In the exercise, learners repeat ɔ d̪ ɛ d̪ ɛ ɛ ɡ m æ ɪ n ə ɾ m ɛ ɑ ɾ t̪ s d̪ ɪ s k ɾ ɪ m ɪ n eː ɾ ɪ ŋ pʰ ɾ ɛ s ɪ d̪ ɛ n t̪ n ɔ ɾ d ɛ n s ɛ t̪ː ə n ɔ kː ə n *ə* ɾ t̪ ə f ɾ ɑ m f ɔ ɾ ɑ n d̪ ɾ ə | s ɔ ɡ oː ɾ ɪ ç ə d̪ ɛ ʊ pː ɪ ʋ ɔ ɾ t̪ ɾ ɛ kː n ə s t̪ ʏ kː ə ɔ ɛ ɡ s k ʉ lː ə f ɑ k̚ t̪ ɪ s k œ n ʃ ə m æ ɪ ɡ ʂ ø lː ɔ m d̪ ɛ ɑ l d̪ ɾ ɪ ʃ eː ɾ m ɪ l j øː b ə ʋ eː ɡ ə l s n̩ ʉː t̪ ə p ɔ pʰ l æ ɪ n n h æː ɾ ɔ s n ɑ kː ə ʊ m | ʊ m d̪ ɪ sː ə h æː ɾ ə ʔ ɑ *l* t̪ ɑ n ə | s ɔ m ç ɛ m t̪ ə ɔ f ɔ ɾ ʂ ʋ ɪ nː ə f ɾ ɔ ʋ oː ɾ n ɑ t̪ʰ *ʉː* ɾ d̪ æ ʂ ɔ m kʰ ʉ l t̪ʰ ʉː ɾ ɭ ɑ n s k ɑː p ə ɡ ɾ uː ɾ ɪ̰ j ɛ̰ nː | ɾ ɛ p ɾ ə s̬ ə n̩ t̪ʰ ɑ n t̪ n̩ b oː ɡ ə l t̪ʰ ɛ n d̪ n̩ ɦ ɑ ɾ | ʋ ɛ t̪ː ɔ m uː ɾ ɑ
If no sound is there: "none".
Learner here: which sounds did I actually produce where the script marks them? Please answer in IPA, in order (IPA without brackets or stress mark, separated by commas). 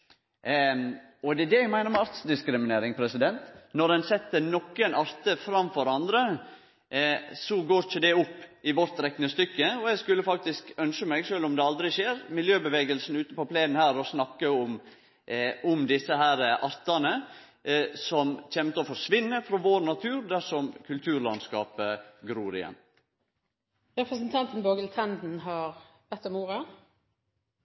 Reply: ɑ, ɾ, ʉː